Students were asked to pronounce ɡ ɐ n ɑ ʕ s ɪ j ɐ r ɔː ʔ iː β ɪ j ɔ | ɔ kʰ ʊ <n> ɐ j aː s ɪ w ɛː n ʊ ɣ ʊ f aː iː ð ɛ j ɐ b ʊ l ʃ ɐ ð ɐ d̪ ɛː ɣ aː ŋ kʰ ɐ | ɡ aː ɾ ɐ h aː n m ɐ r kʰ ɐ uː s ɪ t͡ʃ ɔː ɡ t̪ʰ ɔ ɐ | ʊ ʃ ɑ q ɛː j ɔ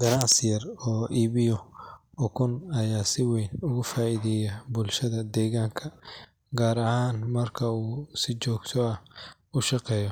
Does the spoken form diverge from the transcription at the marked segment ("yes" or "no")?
no